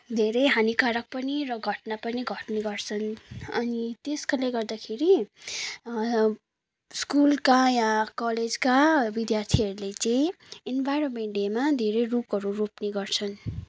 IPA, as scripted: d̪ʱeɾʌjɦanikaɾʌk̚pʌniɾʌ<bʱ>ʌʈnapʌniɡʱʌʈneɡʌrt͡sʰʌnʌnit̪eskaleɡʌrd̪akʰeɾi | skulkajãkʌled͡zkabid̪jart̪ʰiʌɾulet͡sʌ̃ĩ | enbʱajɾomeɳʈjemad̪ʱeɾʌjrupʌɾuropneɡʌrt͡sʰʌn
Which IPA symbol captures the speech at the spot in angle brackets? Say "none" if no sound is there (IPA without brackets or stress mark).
ɡʱ